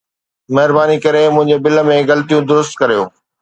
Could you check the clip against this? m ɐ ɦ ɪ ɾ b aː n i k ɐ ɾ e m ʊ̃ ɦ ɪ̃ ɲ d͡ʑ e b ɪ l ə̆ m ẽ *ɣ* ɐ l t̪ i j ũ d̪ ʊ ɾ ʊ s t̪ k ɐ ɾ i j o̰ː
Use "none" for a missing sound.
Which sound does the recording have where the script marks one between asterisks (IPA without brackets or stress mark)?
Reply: ɣ